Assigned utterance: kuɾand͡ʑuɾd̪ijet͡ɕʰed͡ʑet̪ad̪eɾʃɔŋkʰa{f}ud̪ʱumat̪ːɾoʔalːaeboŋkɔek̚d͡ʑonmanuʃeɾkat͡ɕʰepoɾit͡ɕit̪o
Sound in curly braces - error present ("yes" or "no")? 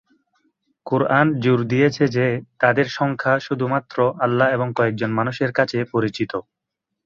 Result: yes